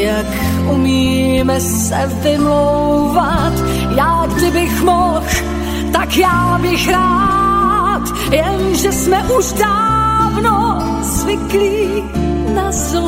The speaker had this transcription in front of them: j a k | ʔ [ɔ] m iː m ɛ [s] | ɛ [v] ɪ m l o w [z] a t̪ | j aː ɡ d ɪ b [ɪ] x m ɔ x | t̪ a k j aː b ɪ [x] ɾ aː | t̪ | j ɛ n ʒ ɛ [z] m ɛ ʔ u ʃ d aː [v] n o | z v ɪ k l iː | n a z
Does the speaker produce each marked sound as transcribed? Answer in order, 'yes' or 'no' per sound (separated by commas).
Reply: no, yes, yes, no, yes, yes, no, yes